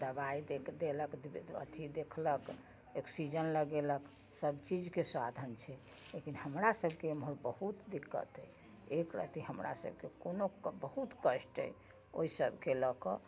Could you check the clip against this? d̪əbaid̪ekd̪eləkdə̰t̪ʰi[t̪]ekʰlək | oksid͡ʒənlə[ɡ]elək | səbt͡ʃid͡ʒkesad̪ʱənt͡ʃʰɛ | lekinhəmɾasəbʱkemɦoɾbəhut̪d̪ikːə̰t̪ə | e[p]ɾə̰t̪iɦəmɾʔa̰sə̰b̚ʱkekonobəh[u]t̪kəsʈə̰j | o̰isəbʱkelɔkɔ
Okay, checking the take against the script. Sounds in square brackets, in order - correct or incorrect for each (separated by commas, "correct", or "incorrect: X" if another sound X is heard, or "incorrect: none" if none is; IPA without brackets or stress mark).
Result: incorrect: d̪, correct, incorrect: k, correct